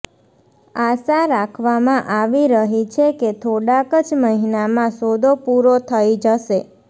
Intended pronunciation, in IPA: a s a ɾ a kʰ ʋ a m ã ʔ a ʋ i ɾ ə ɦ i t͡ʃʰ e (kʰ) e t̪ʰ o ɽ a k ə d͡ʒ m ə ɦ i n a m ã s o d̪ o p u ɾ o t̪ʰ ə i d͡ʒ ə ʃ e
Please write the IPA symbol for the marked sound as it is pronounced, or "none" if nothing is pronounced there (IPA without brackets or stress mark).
k